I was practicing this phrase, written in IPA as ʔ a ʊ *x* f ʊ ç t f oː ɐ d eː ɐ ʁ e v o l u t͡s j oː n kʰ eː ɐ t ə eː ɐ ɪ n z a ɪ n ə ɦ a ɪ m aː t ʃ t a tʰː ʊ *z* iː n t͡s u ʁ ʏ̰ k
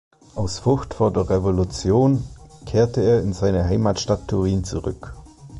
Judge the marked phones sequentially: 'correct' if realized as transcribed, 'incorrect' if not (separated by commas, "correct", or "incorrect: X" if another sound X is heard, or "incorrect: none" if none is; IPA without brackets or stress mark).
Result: incorrect: s, incorrect: ʁ